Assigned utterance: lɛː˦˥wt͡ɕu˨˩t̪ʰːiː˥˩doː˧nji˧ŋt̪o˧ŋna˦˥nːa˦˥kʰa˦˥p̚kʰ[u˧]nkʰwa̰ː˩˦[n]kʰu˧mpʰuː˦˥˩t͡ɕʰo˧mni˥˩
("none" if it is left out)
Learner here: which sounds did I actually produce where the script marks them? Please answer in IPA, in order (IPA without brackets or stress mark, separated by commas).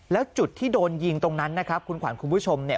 u˧, n